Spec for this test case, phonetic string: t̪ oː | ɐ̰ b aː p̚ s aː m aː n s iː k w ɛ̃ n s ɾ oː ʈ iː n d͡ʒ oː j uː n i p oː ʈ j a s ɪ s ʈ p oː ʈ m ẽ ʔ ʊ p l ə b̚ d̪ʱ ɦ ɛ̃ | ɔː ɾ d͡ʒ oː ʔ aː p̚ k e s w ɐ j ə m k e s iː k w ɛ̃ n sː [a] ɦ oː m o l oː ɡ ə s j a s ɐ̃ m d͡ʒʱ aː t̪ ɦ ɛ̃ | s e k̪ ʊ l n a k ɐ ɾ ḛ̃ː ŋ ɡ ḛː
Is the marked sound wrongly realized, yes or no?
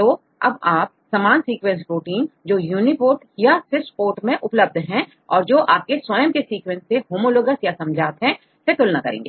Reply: yes